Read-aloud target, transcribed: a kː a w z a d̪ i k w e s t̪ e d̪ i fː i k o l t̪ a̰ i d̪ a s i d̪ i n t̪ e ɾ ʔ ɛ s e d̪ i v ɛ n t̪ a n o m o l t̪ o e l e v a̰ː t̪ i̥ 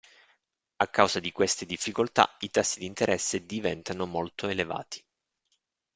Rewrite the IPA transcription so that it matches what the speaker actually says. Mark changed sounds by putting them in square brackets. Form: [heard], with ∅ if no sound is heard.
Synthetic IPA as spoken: a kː a w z a d̪ i k w e s t̪ e d̪ i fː i k o l t̪ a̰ i [t̪] a [sː] i d̪ i n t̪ e ɾ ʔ ɛ [sː] e d̪ i v ɛ n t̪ a n o m o l t̪ o e l e v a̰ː t̪ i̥